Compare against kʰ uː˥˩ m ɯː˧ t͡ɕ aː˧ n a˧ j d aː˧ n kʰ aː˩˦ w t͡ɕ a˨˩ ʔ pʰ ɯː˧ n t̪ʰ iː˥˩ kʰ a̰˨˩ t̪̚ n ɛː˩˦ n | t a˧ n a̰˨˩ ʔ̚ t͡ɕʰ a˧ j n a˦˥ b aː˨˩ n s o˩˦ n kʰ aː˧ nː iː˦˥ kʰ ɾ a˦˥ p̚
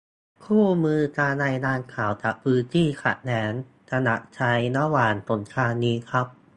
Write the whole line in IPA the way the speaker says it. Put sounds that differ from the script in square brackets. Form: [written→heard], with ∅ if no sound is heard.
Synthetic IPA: kʰ uː˥˩ m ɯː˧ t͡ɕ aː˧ n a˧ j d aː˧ n kʰ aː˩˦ w t͡ɕ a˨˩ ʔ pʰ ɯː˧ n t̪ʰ iː˥˩ kʰ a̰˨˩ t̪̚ n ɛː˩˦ n | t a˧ n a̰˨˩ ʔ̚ t͡ɕʰ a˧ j n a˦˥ [b→w] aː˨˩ n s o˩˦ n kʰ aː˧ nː iː˦˥ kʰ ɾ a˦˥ p̚